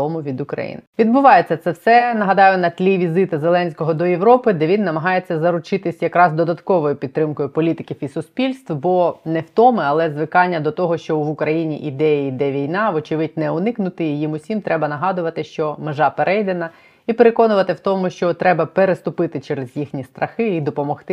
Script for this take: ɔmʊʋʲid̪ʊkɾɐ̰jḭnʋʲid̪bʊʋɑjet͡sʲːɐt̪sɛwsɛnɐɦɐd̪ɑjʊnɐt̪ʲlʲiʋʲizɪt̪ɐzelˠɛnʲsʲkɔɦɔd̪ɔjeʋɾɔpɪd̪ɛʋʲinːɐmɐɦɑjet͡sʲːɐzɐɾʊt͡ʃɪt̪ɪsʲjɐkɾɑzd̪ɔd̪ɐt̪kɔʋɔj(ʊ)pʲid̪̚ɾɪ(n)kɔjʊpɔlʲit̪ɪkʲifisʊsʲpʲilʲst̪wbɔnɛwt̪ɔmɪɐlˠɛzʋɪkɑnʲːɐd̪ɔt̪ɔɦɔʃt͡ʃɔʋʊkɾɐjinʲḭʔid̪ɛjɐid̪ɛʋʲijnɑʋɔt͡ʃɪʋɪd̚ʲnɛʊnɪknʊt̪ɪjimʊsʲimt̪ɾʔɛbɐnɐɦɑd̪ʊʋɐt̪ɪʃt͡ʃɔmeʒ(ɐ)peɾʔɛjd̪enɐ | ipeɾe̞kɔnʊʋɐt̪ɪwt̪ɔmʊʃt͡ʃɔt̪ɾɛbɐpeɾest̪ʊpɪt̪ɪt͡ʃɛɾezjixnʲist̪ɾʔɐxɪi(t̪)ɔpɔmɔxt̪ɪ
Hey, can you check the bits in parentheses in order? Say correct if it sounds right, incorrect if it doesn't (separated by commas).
correct, incorrect, incorrect, incorrect